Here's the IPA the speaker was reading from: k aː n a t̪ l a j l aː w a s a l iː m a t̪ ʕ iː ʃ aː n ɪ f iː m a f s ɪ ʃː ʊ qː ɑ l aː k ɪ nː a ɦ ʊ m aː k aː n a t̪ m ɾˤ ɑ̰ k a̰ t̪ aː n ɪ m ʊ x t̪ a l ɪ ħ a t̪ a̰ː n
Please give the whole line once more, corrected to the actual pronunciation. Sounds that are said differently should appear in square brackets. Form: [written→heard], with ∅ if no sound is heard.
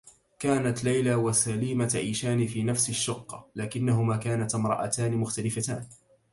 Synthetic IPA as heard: k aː n a t̪ l a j l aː w a s a l iː m a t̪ ʕ iː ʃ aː n ɪ f iː [m→n] a f s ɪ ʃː ʊ qː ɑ l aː k ɪ nː a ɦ ʊ m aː k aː n a t̪ m ɾˤ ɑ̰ [k→ʔ] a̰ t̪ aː n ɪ m ʊ x t̪ a l ɪ [ħ→f] a t̪ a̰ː n